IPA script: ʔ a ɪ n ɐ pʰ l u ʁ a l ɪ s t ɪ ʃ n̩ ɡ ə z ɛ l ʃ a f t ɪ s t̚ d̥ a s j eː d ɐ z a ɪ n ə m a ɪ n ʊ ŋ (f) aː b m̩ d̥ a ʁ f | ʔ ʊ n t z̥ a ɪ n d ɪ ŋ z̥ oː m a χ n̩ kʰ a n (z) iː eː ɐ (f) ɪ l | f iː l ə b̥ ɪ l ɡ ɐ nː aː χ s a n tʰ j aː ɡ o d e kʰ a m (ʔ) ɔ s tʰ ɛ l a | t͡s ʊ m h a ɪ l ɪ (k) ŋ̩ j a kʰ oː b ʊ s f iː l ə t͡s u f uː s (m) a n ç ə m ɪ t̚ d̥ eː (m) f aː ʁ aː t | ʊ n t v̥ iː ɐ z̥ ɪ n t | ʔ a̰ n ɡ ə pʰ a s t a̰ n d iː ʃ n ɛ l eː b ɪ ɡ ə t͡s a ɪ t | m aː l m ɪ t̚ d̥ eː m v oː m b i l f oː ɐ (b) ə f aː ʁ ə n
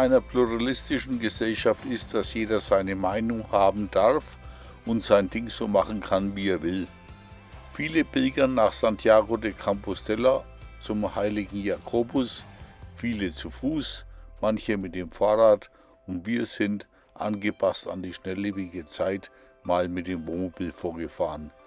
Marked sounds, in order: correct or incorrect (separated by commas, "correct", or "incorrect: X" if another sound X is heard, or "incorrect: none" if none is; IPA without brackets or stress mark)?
incorrect: h, incorrect: v, incorrect: v, incorrect: p, incorrect: ɡ, correct, correct, incorrect: ɡ